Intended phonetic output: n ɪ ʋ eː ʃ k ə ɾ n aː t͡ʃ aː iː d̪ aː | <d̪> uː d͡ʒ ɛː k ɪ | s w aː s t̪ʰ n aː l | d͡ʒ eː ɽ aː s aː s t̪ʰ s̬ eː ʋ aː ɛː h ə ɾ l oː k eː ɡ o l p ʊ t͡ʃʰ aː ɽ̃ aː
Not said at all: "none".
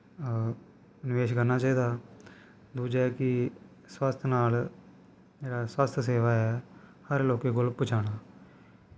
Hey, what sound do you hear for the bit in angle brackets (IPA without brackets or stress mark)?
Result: d̪